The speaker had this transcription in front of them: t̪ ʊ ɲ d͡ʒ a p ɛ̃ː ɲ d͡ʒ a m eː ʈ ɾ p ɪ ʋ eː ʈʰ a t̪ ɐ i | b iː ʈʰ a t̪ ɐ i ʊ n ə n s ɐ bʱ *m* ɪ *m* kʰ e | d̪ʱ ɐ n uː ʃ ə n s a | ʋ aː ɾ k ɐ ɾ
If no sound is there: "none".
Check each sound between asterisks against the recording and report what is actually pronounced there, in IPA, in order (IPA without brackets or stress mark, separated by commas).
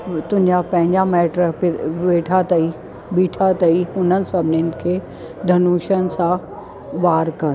n, n